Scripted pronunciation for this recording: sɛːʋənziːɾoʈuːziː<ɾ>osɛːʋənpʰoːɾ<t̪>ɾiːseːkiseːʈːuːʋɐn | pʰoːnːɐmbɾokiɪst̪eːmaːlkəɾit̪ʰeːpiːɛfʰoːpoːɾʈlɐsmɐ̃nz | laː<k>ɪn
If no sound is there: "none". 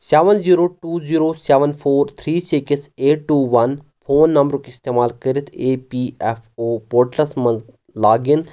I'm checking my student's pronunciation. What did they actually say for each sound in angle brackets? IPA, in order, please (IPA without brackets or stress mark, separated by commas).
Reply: ɾ, t̪ʰ, ɡ